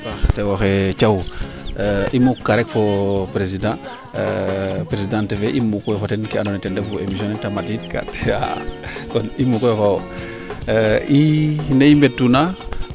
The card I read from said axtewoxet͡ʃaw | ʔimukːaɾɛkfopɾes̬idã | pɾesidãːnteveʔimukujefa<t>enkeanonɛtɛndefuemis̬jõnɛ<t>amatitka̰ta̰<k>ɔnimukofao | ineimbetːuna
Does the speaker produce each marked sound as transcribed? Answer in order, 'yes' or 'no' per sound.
yes, yes, yes

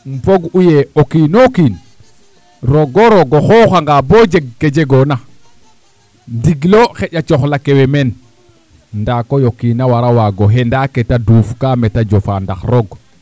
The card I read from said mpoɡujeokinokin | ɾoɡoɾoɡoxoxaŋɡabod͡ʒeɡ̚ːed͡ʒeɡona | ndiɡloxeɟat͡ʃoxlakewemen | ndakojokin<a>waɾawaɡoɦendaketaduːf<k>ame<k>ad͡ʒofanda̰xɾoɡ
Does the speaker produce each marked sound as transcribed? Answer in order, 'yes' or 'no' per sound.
yes, yes, no

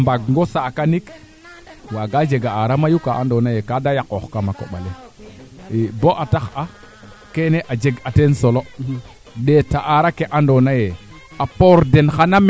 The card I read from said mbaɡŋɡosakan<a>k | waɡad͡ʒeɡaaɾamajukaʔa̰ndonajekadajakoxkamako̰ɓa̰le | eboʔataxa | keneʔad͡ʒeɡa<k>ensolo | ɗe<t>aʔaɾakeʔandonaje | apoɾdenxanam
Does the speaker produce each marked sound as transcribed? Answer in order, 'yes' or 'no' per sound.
no, no, yes

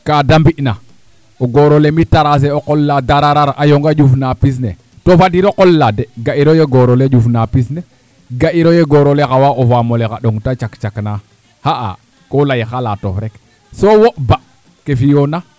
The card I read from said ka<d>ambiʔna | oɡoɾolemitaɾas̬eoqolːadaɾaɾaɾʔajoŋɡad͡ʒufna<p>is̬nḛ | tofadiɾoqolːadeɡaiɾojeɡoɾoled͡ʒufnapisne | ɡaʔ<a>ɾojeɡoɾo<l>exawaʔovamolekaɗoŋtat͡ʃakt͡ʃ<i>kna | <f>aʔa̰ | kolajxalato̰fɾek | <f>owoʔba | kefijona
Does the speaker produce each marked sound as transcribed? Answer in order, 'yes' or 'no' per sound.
yes, yes, no, yes, no, no, no

